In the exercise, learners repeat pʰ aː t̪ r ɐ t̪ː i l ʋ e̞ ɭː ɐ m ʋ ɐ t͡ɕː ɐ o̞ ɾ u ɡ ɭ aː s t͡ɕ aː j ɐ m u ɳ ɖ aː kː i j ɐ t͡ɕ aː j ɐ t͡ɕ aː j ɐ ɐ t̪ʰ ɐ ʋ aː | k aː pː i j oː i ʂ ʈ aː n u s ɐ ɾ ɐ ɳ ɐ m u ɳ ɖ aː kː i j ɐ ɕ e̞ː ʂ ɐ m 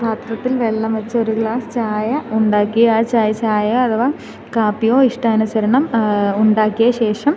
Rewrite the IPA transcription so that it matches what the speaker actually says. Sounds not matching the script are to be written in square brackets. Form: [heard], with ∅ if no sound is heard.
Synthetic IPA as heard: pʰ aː t̪ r ɐ t̪ː i l ʋ e̞ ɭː ɐ m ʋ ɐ t͡ɕː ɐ o̞ ɾ u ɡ ɭ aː s t͡ɕ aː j ɐ [∅] u ɳ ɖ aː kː i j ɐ t͡ɕ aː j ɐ t͡ɕ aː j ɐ ɐ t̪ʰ ɐ ʋ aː | k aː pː i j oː i ʂ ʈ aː n u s ɐ ɾ ɐ ɳ ɐ m u ɳ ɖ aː kː i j ɐ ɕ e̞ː ʂ ɐ m

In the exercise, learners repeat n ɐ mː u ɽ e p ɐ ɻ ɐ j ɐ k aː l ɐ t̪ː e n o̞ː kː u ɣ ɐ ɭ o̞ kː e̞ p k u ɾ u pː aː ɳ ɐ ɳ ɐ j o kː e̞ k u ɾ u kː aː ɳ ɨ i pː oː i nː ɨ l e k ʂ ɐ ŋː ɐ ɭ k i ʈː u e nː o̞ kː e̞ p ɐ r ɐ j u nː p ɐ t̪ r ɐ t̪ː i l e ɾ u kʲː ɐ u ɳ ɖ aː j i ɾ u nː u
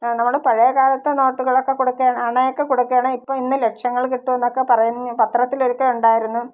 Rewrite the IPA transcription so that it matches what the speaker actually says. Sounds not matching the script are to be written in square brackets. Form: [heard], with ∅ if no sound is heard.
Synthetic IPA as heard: n ɐ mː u ɽ e p ɐ ɻ ɐ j ɐ k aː l ɐ t̪ː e n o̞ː [ʈː] u ɣ ɐ ɭ o̞ kː e̞ [∅] k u [ɽ] u [kː] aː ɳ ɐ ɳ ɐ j o kː e̞ k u [ɽ] u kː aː ɳ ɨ i pː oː i nː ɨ l e k ʂ ɐ ŋː ɐ ɭ k i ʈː u e nː o̞ kː e̞ p ɐ r ɐ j u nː p ɐ t̪ r ɐ t̪ː i l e ɾ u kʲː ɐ u ɳ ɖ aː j i ɾ u nː u

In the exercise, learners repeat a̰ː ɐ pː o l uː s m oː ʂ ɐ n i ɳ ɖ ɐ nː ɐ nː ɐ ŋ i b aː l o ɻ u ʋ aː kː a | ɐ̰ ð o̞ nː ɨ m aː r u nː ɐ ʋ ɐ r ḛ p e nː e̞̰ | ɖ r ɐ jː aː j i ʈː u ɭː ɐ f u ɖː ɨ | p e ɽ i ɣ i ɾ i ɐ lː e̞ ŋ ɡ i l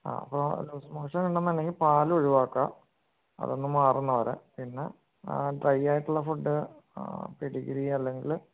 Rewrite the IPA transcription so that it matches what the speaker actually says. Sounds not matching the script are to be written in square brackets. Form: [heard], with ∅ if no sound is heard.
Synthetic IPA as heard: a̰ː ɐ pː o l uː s m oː ʂ ɐ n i ɳ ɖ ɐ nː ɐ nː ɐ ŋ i [p] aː l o ɻ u ʋ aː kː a | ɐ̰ ð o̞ nː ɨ m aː r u nː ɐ ʋ ɐ [ɾ] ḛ p [i] nː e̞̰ | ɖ r ɐ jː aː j i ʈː u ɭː ɐ f u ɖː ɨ | p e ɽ i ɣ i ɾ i ɐ lː e̞ ŋ ɡ i l

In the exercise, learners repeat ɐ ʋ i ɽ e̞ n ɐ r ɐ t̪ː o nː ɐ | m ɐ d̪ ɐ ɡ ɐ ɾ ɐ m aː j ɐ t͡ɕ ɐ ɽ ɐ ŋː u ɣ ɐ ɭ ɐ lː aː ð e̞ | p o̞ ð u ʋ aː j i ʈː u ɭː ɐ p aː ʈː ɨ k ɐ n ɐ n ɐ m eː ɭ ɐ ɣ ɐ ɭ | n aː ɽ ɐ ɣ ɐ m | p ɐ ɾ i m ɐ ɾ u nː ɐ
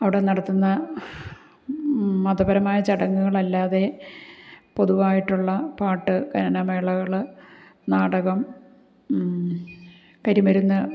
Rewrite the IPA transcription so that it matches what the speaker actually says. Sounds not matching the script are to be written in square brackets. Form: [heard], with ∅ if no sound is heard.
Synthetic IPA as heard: ɐ ʋ i ɽ e̞ n ɐ [ɽ] ɐ t̪ː [u] nː ɐ | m ɐ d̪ ɐ [b] ɐ ɾ ɐ m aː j ɐ t͡ɕ ɐ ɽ ɐ ŋː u ɣ ɐ ɭ ɐ lː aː ð e̞ | p o̞ ð u ʋ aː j i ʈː u ɭː ɐ p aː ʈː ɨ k ɐ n ɐ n ɐ m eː ɭ ɐ ɣ ɐ ɭ | n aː ɽ ɐ ɣ ɐ m | [k] ɐ ɾ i m ɐ ɾ u nː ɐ

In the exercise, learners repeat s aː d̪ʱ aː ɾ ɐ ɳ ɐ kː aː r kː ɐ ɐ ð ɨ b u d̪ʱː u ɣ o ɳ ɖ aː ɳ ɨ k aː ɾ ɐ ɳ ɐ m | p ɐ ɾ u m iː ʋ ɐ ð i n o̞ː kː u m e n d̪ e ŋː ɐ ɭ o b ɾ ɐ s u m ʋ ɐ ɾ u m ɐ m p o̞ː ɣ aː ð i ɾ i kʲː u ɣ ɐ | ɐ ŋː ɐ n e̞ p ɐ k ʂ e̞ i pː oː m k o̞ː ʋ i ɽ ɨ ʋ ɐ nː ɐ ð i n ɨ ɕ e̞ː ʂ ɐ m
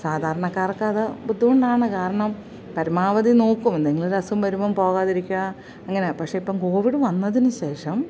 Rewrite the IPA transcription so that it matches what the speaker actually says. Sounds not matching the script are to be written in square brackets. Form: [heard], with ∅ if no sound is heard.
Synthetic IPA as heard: s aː d̪ʱ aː ɾ ɐ ɳ ɐ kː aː r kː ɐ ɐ ð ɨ b u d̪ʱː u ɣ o ɳ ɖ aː ɳ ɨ k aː ɾ ɐ ɳ ɐ m | p ɐ ɾ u m [aː] ʋ ɐ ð i n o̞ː kː u m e n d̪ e ŋː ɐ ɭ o [∅] ɾ ɐ s u m ʋ ɐ ɾ u m ɐ m p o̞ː ɣ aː ð i ɾ i kʲː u ɣ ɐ | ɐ ŋː ɐ n e̞ p ɐ k ʂ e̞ i pː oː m k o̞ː ʋ i ɽ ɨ ʋ ɐ nː ɐ ð i n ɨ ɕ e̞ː ʂ ɐ m

